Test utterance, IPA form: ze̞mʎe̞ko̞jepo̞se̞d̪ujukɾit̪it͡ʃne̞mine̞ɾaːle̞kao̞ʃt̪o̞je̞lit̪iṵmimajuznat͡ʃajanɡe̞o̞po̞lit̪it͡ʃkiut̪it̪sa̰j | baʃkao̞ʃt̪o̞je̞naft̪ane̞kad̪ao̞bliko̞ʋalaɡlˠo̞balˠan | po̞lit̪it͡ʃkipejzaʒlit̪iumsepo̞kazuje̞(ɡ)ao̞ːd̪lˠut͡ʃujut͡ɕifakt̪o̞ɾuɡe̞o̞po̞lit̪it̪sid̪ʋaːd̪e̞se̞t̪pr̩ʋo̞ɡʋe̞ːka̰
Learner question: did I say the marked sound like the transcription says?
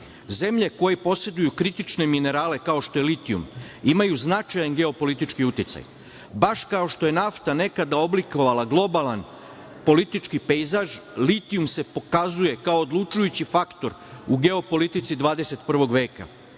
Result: no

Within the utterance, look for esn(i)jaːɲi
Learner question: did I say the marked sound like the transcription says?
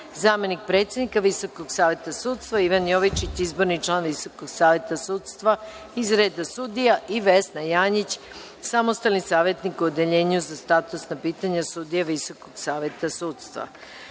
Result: no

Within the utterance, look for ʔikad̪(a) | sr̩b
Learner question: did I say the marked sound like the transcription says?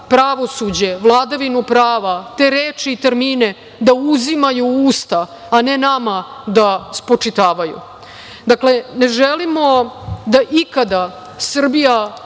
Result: yes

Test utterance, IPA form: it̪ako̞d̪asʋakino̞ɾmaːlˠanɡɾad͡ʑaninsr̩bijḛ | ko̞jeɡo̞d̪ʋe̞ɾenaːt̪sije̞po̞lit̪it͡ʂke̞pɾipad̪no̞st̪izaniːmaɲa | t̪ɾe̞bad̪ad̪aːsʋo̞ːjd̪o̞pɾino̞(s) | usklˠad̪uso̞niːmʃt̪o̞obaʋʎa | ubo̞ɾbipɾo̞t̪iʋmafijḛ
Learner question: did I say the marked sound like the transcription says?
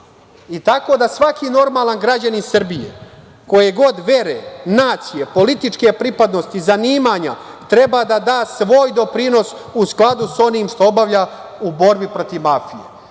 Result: yes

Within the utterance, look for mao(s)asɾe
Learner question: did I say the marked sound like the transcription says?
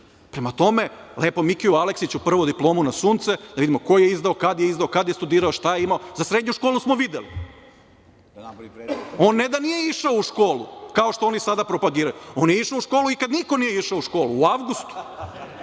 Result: no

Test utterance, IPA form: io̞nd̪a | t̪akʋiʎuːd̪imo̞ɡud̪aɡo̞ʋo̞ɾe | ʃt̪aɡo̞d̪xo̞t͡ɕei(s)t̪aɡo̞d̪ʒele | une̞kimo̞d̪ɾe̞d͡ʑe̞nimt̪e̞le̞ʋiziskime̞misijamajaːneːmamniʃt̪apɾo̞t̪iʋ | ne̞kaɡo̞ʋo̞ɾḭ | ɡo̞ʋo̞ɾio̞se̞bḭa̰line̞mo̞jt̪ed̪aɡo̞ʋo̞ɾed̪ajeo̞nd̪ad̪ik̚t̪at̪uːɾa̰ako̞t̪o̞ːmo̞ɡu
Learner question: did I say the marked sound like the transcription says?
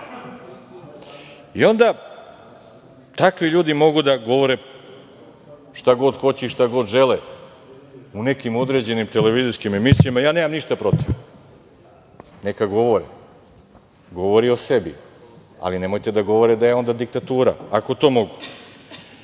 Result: no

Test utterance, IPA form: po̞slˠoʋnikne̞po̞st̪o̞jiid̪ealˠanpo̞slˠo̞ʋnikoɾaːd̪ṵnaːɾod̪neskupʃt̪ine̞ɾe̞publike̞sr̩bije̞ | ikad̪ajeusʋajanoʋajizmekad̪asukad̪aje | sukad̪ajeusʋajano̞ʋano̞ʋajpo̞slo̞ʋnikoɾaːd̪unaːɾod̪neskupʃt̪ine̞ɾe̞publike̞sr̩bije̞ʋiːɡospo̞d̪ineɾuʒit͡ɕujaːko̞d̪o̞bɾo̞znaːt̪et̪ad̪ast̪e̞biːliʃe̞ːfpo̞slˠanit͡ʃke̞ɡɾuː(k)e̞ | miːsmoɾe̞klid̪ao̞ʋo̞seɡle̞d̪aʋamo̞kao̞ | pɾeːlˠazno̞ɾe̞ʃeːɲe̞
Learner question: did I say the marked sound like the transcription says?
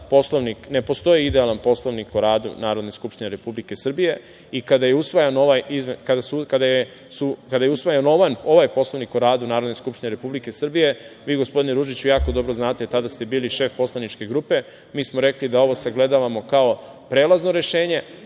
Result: no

